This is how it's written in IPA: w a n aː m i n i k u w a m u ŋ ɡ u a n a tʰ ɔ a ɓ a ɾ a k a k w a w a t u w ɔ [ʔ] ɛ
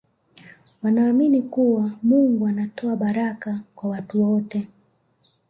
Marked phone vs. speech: incorrect: t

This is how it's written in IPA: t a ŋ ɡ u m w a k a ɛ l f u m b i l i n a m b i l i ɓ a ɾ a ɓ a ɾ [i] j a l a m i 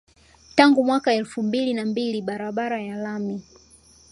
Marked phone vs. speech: incorrect: a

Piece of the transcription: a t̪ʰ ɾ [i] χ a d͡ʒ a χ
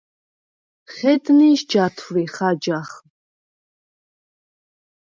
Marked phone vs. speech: correct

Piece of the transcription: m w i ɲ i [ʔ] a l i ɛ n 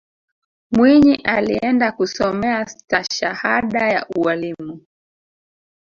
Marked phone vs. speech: correct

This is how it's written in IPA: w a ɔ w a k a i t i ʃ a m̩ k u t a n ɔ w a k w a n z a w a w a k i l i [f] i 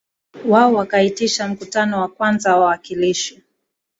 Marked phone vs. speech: incorrect: ʃ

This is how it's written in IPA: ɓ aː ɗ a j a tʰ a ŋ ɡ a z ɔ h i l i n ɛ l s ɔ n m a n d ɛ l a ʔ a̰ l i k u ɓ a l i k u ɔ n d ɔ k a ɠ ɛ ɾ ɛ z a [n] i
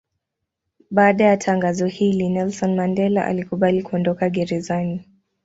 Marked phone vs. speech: correct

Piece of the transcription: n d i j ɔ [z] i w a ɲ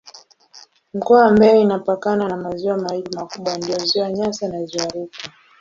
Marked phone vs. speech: correct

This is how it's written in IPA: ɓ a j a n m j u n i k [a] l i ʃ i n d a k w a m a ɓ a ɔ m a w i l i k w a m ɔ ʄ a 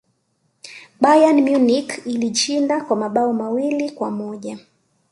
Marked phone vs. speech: incorrect: i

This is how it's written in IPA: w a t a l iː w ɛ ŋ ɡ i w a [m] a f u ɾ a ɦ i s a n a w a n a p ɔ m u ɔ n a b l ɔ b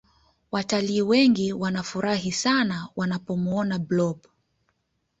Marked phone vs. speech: incorrect: n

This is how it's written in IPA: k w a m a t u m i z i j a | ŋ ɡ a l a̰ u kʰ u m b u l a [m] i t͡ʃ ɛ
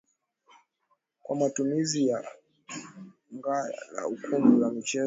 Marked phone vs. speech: correct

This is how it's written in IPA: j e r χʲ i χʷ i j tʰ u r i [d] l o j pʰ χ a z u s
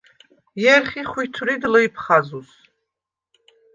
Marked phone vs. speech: correct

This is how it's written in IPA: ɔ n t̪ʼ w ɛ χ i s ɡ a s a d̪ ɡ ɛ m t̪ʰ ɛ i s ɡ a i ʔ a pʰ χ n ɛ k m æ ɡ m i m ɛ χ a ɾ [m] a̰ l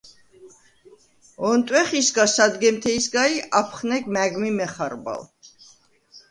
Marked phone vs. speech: incorrect: b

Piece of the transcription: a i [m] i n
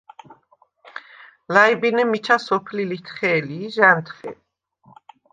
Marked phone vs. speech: incorrect: b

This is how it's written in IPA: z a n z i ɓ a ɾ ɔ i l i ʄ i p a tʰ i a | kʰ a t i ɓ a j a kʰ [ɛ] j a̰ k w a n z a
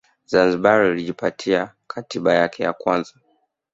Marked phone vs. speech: correct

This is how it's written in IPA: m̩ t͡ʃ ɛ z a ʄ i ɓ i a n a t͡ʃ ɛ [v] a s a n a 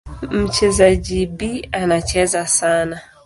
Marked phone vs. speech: incorrect: z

